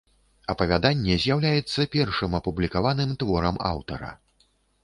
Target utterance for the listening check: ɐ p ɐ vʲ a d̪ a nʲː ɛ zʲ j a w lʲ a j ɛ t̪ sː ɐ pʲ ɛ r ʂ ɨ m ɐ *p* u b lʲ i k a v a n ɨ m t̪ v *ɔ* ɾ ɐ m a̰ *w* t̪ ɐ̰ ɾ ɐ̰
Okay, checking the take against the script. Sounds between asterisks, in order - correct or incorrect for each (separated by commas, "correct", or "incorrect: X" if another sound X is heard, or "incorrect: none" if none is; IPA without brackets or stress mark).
correct, correct, correct